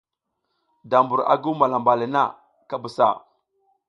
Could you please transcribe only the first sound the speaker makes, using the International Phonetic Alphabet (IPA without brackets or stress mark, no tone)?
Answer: d